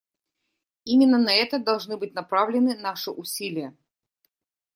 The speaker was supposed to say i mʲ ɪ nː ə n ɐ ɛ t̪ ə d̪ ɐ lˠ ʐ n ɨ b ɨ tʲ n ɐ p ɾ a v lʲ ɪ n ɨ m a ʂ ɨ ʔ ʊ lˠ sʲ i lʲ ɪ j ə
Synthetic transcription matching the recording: i mʲ ɪ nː ə n ɐ ɛ t̪ ə d̪ ɐ lˠ ʐ n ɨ b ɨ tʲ n ɐ p ɾ a v lʲ ɪ n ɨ n a ʂ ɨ ʔ ʊ sʲ i lʲ ɪ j ə